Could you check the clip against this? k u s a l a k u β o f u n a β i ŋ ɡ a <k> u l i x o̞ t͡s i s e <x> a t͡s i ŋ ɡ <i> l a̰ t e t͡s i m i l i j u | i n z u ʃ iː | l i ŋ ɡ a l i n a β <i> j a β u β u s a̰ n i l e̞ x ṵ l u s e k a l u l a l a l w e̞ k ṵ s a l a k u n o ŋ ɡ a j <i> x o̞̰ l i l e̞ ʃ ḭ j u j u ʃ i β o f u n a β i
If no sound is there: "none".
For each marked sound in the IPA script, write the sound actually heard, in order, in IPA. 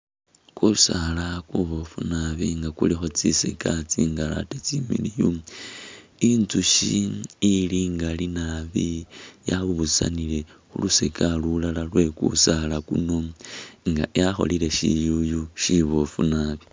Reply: k, k, a, i, a

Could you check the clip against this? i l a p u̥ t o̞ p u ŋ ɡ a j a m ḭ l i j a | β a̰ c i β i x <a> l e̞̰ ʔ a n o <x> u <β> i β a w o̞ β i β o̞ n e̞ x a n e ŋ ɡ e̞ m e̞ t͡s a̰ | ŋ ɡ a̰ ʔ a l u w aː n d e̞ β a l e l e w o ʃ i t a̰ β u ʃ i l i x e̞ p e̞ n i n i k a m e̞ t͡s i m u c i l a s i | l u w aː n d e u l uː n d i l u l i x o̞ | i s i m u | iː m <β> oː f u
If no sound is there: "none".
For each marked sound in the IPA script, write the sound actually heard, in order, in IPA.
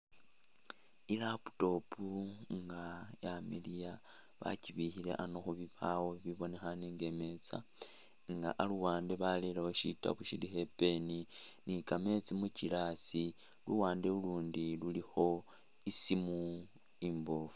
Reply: i, x, β, b

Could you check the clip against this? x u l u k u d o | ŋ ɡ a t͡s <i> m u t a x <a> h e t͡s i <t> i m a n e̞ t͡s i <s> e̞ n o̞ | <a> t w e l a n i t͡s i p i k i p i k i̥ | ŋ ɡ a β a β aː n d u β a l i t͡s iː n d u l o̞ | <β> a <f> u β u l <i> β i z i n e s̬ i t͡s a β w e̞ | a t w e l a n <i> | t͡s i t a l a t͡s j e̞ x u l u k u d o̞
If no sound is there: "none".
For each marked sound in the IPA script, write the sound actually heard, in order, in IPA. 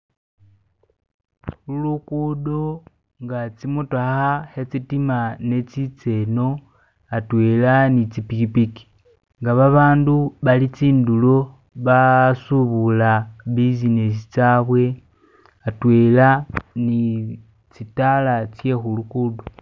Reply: i, a, t, t͡s, a, β, s, a, i

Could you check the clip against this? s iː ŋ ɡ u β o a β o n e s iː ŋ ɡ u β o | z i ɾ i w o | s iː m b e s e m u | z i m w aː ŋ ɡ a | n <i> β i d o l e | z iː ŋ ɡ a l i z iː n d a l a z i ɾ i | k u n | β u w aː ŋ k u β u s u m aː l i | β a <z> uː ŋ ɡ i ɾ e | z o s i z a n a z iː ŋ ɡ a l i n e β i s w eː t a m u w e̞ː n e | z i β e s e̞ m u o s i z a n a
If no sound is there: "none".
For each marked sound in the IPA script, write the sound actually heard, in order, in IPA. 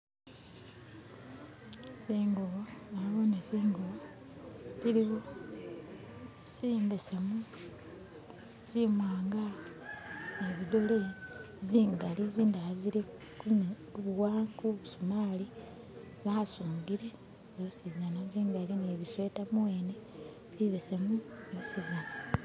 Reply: e, s

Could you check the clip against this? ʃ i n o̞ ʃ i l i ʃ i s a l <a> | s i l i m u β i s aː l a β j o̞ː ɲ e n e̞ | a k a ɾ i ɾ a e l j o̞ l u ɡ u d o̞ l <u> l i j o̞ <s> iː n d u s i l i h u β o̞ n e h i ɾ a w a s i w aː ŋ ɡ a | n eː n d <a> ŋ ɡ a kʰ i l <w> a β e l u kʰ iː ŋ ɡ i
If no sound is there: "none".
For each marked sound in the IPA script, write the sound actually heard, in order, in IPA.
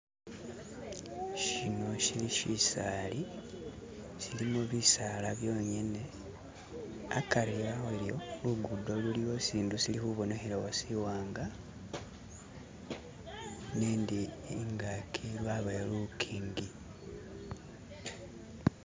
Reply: i, u, s, i, w

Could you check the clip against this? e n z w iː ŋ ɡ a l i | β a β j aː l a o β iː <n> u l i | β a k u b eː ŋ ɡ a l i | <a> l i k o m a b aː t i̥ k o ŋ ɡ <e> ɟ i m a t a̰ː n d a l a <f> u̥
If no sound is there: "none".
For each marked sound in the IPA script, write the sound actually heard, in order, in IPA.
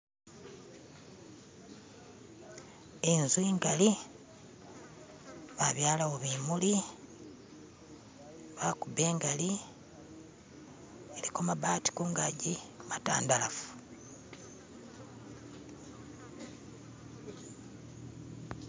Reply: m, e, a, f

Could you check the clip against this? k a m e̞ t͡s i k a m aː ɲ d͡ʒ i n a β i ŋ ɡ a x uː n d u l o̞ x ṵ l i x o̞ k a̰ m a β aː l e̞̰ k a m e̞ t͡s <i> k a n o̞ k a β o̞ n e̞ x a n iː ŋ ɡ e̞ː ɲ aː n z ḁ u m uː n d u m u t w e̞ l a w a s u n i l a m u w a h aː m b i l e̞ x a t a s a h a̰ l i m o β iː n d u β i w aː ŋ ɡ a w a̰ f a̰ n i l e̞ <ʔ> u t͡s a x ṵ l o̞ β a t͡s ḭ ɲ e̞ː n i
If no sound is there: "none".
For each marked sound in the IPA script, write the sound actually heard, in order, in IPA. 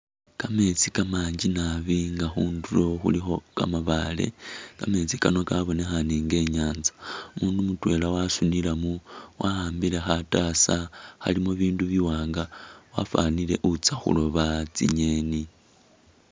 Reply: i, ʔ

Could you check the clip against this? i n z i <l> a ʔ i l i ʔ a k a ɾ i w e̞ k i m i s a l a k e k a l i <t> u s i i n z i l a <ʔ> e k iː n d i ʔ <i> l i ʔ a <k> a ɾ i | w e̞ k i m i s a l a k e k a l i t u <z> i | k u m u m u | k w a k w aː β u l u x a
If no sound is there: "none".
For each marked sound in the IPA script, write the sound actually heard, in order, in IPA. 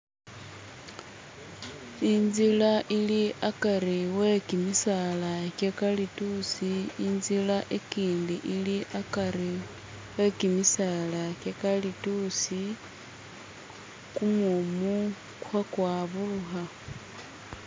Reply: l, t, ʔ, i, k, s

